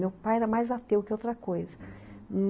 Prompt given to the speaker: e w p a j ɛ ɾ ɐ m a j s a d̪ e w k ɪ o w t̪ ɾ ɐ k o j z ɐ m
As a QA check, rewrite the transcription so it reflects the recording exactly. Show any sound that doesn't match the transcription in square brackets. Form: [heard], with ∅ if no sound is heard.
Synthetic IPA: e w p a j ɛ ɾ ɐ m a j [z] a [t̪] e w k ɪ o w t̪ ɾ ɐ k o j z ɐ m